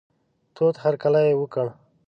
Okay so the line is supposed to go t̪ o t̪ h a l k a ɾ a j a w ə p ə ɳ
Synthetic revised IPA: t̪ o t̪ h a ɾ k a l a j e w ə k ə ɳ